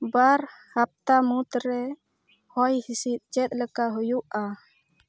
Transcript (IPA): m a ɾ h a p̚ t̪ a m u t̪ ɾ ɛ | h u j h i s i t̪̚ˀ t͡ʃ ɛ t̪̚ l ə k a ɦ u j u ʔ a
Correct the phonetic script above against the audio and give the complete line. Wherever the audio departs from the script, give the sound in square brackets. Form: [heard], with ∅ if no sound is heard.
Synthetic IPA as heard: [b] a ɾ h a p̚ t̪ a m u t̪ ɾ ɛ | h [ɔ] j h i s i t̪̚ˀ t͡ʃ ɛ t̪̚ l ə k a ɦ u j u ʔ a